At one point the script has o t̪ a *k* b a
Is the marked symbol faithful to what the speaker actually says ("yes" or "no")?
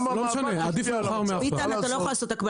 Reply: yes